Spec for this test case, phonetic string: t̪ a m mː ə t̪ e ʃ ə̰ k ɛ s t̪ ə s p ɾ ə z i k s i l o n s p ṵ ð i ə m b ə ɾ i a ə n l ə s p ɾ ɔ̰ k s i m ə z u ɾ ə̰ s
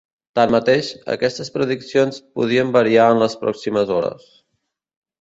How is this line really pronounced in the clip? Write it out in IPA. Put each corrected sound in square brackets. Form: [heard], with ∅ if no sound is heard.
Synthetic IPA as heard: t̪ a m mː ə t̪ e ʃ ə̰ k ɛ s t̪ ə s p ɾ ə [ð] i k s i [∅] o n s p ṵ ð i ə m b ə ɾ i a ə n l ə s p ɾ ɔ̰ k s i m ə z [ɔ] ɾ ə̰ s